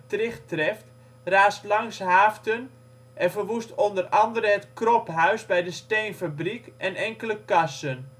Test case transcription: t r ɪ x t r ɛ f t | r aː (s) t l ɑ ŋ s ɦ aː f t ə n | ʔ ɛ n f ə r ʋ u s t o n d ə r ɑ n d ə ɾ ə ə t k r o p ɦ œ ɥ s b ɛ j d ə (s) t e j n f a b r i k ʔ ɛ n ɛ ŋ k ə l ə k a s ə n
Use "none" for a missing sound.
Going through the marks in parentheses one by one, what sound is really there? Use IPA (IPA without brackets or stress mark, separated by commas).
s, s